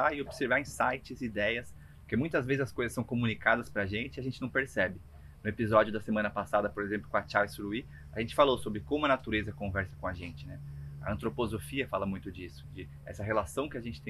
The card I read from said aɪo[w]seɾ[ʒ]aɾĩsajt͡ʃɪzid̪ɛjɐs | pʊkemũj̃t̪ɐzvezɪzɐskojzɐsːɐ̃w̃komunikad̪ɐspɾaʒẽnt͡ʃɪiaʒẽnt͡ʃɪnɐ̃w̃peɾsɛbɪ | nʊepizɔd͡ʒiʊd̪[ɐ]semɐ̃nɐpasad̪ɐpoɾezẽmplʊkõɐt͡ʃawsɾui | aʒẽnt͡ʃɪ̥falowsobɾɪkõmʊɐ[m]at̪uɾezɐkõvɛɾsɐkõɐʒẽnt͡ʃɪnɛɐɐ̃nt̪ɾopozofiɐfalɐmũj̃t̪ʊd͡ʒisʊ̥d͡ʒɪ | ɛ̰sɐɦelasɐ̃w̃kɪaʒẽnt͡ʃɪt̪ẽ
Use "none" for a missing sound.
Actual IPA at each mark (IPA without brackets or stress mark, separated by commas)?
b, v, ɐ, n